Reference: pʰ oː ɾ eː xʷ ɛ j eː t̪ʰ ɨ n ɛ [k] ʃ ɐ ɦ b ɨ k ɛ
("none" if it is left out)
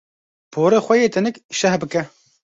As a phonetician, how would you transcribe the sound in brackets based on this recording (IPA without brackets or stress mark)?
k